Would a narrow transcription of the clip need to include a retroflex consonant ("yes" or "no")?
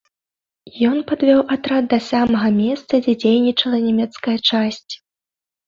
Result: yes